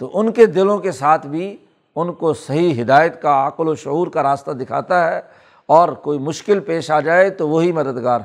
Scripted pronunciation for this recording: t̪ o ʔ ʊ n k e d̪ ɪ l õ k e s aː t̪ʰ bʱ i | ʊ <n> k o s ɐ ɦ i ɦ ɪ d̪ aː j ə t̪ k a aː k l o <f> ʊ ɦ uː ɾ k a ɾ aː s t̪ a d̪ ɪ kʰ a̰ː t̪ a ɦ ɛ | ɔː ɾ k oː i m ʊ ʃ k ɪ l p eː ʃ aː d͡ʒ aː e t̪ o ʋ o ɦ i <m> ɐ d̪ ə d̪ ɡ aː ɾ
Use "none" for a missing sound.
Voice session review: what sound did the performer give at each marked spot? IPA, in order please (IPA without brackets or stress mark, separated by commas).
n, ʃ, m